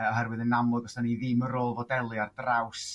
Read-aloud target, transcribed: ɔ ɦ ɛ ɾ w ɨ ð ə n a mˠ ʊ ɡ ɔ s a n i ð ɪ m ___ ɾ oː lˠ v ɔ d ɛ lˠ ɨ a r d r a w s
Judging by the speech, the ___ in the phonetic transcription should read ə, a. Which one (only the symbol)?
ə